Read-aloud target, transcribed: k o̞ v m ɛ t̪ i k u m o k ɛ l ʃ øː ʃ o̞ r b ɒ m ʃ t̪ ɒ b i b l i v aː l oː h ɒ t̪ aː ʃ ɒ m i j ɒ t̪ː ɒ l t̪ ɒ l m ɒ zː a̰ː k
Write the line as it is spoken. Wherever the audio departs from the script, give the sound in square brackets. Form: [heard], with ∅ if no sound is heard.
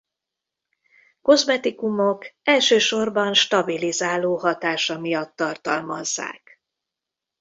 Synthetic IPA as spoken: k o̞ [z] m ɛ t̪ i k u m o k ɛ l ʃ øː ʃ o̞ r b ɒ [n] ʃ t̪ ɒ b i [∅] l i [z] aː l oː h ɒ t̪ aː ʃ ɒ m i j ɒ t̪ː ɒ [r] t̪ ɒ l m ɒ zː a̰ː k

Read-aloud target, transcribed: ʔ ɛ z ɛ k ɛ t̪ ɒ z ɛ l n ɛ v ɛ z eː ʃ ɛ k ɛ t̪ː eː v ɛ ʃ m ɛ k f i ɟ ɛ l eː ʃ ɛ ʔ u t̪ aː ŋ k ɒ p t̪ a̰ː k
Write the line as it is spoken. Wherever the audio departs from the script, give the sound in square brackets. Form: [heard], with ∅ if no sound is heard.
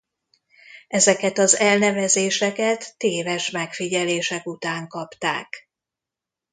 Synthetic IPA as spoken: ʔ ɛ z ɛ k ɛ t̪ ɒ z ɛ l n ɛ v ɛ z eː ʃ ɛ k ɛ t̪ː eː v ɛ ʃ m ɛ k f i ɟ ɛ l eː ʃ ɛ [k] u t̪ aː ŋ k ɒ p t̪ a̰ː k

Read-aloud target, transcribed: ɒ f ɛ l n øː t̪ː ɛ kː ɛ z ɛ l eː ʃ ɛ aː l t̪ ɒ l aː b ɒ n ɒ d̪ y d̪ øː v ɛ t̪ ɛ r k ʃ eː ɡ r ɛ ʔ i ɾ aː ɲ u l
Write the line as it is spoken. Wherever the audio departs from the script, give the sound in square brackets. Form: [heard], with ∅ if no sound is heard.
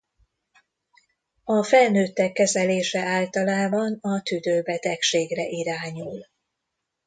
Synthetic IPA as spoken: ɒ f ɛ l n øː t̪ː ɛ kː ɛ z ɛ l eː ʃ ɛ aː l t̪ ɒ l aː b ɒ n ɒ [t̪] y d̪ øː [b] ɛ t̪ ɛ [∅] k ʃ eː ɡ r ɛ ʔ i ɾ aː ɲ u l

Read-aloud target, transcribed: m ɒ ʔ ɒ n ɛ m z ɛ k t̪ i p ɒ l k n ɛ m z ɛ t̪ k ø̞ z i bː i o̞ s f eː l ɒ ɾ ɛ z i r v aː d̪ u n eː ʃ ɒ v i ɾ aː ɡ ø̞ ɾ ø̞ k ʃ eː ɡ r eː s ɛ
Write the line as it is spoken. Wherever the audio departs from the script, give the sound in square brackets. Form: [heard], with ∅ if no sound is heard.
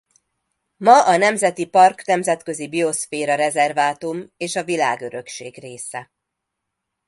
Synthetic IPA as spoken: m ɒ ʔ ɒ n ɛ m z ɛ [∅] t̪ i p ɒ [r] k n ɛ m z ɛ t̪ k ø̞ z i [b] i o̞ s f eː [ɾ] ɒ ɾ ɛ z [ɛ] r v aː [t̪] u [m] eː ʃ ɒ v i [l] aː ɡ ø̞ ɾ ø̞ k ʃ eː ɡ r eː s ɛ

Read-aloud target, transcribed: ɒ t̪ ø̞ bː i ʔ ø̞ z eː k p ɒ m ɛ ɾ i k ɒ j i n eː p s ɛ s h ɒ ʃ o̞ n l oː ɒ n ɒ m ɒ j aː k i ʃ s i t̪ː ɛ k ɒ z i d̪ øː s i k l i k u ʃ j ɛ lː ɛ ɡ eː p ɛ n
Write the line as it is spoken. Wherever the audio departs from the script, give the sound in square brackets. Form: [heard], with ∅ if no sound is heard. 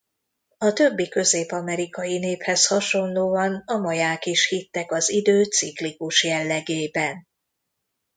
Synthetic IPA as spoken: ɒ t̪ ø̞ bː i [k] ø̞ z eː [∅] p ɒ m ɛ ɾ i k ɒ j i n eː p [h] ɛ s h ɒ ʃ o̞ n l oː ɒ n ɒ m ɒ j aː k i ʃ [h] i t̪ː ɛ k ɒ z i d̪ øː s i k l i k u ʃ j ɛ lː ɛ ɡ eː [b] ɛ n

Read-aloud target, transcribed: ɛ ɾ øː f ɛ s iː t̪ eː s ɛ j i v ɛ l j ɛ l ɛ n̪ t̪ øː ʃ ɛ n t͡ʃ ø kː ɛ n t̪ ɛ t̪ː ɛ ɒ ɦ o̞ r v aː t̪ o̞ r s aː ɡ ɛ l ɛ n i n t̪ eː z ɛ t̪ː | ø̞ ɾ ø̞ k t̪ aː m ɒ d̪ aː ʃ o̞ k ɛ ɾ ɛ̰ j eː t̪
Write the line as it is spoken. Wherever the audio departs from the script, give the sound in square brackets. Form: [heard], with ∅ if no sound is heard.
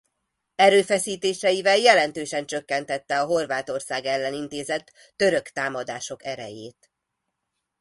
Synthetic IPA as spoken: ɛ ɾ øː f ɛ s iː t̪ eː [ʃ] ɛ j i v ɛ l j ɛ l ɛ n̪ t̪ øː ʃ ɛ n t͡ʃ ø kː ɛ n t̪ ɛ t̪ː ɛ ɒ ɦ o̞ r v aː t̪ o̞ r s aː ɡ ɛ [lː] ɛ n i n t̪ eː z ɛ t̪ː | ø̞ ɾ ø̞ k t̪ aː m ɒ d̪ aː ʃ o̞ k ɛ ɾ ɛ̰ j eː t̪

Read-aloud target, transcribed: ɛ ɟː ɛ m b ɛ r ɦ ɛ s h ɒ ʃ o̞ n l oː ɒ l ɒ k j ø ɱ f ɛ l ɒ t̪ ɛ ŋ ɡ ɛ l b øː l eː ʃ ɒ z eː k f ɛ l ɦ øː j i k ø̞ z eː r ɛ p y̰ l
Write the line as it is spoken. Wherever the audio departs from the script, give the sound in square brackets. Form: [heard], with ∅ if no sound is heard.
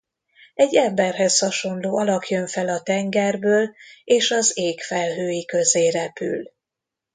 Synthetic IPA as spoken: ɛ ɟː ɛ m b ɛ r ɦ ɛ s h ɒ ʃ o̞ n l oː ɒ l ɒ k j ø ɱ f ɛ l ɒ t̪ ɛ ŋ ɡ ɛ [r] b øː l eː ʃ ɒ z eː k f ɛ l ɦ øː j i k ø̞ z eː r ɛ p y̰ l

